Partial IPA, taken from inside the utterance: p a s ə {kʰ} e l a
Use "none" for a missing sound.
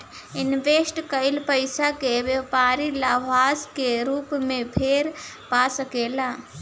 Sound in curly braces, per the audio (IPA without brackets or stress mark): k